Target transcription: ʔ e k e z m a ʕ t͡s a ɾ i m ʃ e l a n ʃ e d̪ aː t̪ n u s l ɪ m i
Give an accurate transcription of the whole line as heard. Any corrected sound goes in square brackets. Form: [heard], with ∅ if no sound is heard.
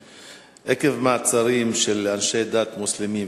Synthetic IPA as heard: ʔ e k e [v] m a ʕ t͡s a ɾ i m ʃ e l a n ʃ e d̪ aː t̪ [m] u s l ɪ m i